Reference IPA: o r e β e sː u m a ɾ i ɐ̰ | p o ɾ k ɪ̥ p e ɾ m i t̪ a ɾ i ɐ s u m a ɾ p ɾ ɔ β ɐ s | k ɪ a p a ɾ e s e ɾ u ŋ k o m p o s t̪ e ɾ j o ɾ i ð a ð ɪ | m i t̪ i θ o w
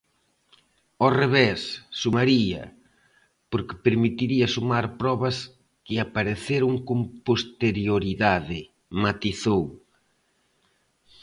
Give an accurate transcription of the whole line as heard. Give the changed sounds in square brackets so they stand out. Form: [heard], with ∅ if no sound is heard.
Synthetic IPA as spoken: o r e β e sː u m a ɾ i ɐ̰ | p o ɾ k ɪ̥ p e ɾ m i t̪ [i] ɾ i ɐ s u m a ɾ p ɾ ɔ β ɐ s | k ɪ a p a ɾ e [θ] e ɾ u ŋ k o m p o s t̪ e ɾ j o ɾ i ð a ð ɪ | m [a] t̪ i θ o w